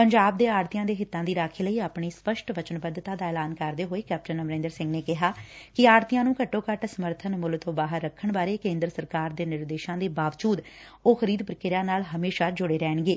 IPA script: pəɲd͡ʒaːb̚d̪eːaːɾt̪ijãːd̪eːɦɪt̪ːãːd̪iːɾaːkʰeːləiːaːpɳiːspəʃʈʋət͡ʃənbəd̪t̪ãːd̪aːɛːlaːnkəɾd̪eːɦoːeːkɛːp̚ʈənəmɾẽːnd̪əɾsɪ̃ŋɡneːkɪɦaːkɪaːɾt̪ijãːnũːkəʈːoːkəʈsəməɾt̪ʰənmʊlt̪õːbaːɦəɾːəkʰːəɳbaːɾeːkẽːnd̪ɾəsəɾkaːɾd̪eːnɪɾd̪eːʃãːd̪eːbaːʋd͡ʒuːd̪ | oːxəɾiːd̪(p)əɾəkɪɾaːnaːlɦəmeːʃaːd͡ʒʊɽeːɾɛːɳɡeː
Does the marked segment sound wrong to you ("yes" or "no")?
no